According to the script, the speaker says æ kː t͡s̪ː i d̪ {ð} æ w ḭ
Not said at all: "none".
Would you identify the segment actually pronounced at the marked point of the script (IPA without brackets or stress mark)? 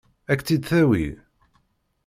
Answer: θ